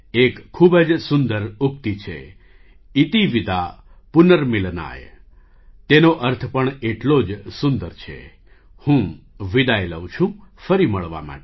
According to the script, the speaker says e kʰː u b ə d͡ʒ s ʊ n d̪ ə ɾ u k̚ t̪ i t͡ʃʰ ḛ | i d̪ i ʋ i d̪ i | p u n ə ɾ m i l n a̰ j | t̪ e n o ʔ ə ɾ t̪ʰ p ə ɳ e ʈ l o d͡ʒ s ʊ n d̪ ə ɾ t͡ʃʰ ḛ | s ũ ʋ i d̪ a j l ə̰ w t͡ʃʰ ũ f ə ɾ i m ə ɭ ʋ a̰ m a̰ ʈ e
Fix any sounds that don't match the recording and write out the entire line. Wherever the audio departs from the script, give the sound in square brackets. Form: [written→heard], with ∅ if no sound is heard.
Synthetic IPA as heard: e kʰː u b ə d͡ʒ s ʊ n d̪ ə ɾ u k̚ t̪ i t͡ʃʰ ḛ | i [d̪→t̪] i ʋ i d̪ [i→a] | p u n ə ɾ m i l n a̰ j | t̪ e n o ʔ ə ɾ t̪ʰ p ə ɳ e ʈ l o d͡ʒ s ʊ n d̪ ə ɾ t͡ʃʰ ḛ | [s→h] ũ ʋ i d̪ a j l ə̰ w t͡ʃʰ ũ f ə ɾ i m ə ɭ ʋ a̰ m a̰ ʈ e